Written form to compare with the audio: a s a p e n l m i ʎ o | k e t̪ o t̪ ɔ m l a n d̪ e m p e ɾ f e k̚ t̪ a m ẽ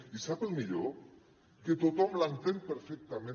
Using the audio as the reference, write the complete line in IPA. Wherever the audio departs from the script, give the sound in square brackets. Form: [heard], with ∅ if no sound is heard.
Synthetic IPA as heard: [i] s a p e [∅] l m i ʎ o | k e t̪ o t̪ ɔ m l a n [t̪] e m p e ɾ f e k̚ t̪ a m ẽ